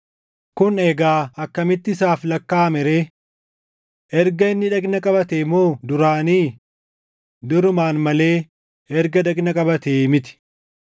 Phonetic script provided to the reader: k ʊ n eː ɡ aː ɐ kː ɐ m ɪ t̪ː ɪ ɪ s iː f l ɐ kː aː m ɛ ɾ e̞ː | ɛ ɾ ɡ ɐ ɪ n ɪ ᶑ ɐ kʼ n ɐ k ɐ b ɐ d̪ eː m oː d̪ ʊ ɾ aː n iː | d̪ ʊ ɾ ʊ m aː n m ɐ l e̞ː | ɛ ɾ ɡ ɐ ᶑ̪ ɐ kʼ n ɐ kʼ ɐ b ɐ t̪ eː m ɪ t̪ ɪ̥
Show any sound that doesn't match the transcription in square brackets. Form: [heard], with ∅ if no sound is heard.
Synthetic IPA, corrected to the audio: k ʊ n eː ɡ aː ɐ kː ɐ m ɪ t̪ː ɪ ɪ s [aː] f l ɐ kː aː m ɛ ɾ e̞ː | ɛ ɾ ɡ ɐ ɪ [nː] ɪ ᶑ ɐ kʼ n ɐ [kʼ] ɐ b ɐ [t̪] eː m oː d̪ ʊ ɾ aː n iː | d̪ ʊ ɾ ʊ m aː n m ɐ l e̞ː | ɛ ɾ ɡ ɐ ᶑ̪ ɐ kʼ n ɐ kʼ ɐ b ɐ t̪ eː m ɪ t̪ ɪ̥